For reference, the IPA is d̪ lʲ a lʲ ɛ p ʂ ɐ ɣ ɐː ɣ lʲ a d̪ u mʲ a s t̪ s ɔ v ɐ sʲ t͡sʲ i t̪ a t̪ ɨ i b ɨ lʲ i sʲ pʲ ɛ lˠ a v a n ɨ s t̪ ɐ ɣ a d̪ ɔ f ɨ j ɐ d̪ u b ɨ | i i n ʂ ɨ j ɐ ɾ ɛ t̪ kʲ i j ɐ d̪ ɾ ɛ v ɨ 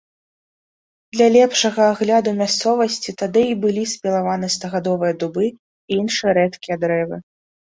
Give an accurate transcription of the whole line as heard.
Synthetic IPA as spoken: d̪ lʲ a lʲ ɛ p ʂ ɐ ɣ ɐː ɣ lʲ a d̪ u mʲ a s t̪ s ɔ v ɐ sʲ t͡sʲ i t̪ a d̪ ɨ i b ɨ lʲ i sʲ pʲ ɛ lˠ a v a n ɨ s t̪ ɐ ɣ a d̪ ɔ v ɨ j ɐ d̪ u b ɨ | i i n ʂ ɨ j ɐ ɾ ɛ t̪ kʲ i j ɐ d̪ ɾ ɛ v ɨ